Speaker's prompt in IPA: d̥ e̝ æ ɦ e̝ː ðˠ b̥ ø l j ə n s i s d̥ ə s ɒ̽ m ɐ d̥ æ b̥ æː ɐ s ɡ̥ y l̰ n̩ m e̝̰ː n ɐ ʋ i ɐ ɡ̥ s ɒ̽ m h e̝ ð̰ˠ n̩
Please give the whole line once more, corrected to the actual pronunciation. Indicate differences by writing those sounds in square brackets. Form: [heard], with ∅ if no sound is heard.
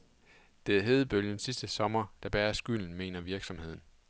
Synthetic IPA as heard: d̥ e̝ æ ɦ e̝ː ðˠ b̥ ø l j ə n s i s d̥ ə s ɒ̽ m ɐ d̥ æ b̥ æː ɐ s ɡ̥ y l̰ n̩ m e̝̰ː n ɐ ʋ i ɐ ɡ̥ s ɒ̽ m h e̝ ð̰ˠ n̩